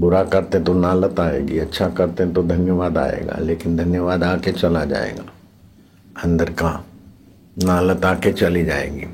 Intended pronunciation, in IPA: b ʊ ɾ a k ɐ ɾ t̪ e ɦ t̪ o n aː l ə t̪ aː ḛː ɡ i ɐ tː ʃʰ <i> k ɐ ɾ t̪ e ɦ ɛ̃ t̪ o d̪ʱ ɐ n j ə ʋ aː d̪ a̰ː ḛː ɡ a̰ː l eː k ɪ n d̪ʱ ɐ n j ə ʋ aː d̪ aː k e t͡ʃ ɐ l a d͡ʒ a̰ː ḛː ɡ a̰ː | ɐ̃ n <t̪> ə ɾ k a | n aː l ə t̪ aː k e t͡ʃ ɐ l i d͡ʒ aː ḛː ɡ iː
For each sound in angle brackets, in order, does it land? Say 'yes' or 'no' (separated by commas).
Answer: no, no